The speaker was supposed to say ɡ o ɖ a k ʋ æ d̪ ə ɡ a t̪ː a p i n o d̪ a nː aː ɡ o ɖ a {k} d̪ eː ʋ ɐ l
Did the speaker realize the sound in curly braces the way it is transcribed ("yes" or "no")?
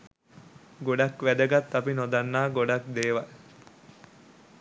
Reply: yes